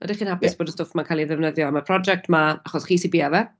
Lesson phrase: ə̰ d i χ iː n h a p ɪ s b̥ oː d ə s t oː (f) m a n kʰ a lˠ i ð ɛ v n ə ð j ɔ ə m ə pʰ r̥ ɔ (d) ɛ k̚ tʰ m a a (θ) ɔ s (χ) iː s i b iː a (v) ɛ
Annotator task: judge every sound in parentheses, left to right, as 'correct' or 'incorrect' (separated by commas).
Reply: correct, incorrect, incorrect, correct, correct